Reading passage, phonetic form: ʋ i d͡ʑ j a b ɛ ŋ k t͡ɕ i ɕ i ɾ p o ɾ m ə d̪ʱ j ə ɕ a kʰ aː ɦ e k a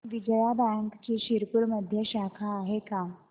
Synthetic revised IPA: ʋ i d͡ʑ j a b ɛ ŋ k t͡ɕ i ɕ i ɾ p u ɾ m ə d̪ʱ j ə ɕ a kʰ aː ɦ e k a